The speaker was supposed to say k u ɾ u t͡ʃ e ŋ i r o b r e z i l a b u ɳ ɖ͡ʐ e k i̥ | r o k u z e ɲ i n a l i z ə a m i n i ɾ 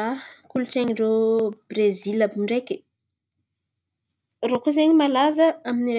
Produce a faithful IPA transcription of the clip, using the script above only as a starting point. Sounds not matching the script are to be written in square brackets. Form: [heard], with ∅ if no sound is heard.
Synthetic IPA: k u [l] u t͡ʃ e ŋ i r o b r e z i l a b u ɳ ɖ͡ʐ e k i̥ | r o k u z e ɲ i [m] a l [a] z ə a m i n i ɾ